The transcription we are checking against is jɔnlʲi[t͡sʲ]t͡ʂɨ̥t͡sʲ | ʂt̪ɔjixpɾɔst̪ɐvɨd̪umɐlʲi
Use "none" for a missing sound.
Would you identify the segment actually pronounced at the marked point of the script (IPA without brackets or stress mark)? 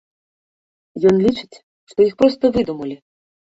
none